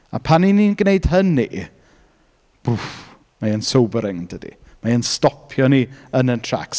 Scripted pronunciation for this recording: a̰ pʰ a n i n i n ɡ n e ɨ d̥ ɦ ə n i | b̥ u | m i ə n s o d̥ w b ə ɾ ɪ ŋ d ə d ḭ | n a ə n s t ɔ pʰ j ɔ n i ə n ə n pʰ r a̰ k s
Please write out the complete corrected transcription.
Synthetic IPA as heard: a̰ pʰ a n i n i n ɡ n e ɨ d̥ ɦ ə n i | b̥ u | m a ə n s o w b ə ɾ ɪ ŋ d ə d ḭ | m a ə n s t ɔ pʰ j ɔ n i ə n ə n tʰ r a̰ k s

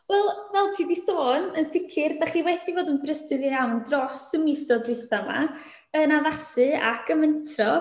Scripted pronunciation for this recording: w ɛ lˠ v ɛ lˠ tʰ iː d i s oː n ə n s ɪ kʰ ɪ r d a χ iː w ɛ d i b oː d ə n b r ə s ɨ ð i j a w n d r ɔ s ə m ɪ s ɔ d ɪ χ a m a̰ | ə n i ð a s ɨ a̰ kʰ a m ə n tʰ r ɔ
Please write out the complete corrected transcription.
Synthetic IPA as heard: w ɛ lˠ v ɛ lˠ tʰ iː d i s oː n ə n s ɪ kʰ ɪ r d a χ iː w ɛ d i v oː d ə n b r ə s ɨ ð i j a w n d r ɔ s ə m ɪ s ɔ d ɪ θ a m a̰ | ə n a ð a s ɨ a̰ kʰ ə m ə n tʰ r ɔ

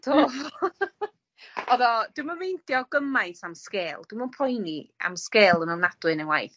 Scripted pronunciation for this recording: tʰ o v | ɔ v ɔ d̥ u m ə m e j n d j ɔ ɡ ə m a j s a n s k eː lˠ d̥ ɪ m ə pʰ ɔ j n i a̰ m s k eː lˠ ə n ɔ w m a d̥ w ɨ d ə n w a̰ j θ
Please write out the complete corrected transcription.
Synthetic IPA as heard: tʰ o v | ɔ ð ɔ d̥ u m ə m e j n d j ɔ ɡ ə m a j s a m s k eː lˠ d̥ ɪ m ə pʰ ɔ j n i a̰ m s k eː lˠ ə n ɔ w n a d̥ w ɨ n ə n w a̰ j θ

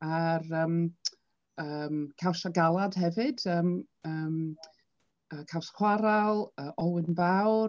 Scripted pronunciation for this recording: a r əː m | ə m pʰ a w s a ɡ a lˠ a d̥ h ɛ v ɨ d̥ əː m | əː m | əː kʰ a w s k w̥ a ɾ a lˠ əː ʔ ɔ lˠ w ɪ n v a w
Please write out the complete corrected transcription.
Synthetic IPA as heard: a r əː m | ə m kʰ a w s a ɡ a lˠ a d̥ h ɛ v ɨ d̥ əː m | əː m | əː kʰ a w s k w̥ a ɾ a lˠ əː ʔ ɔ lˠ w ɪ n v a w

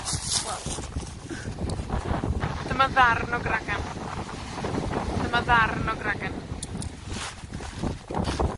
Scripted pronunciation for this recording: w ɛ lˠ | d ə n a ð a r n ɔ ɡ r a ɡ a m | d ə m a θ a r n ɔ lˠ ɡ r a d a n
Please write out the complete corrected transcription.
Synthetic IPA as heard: w ɛ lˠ | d ə m a ð a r n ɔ ɡ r a ɡ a n | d ə m a ð a r n ɔ ɡ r a ɡ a n

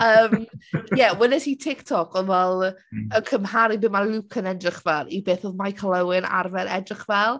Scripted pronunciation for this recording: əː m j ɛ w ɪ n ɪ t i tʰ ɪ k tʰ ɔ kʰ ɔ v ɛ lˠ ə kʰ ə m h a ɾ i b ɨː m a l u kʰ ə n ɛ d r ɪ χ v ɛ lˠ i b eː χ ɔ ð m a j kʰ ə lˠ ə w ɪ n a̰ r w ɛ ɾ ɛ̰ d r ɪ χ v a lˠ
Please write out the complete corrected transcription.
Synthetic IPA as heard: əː m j ɛ w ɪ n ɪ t i tʰ ɪ k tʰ ɔ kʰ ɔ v ɛ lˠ ə kʰ ə m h a ɾ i b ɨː m a l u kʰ ə n ɛ d r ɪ χ v ɛ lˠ i b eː θ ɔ ð m a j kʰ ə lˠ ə w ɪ n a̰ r v ɛ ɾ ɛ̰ d r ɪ χ v ɛ lˠ

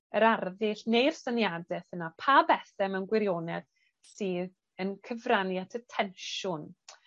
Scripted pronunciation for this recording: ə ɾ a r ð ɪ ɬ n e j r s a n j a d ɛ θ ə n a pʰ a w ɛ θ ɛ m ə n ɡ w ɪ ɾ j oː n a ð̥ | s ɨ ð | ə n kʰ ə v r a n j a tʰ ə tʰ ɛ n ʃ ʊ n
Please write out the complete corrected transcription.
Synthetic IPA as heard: ə ɾ a r ð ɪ ɬ n e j r s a n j a d ɛ θ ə n a pʰ a b ɛ θ ɛ m ə n ɡ w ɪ ɾ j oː n ɛ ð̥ | s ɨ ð | ə n kʰ ə v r a n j a tʰ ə tʰ ɛ n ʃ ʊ n

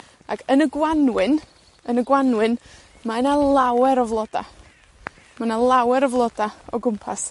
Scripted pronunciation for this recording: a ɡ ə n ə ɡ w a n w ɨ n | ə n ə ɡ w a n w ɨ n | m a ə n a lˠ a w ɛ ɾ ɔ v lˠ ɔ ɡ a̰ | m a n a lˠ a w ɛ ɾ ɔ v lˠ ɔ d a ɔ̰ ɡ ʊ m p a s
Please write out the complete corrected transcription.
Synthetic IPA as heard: a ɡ ə n ə ɡ w a n w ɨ n | ə n ə ɡ w a n w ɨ n | m a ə n a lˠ a w ɛ ɾ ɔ v lˠ ɔ d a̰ | m a n a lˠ a w ɛ ɾ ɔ v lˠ ɔ d a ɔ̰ ɡ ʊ m pʰ a s

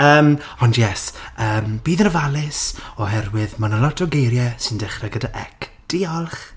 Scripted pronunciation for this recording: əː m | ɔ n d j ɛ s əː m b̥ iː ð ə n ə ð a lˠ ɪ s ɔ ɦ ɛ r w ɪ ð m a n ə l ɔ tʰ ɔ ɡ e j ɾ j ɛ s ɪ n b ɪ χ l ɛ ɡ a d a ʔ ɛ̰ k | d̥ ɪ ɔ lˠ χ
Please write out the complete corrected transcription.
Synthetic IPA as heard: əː m | ɔ n d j ɛ s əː m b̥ iː ð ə n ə v a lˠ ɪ s ɔ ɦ ɛ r w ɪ ð m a n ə l ɔ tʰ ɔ ɡ e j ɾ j ɛ s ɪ n d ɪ χ r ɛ ɡ ə d a ʔ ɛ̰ k | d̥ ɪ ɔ lˠ χ

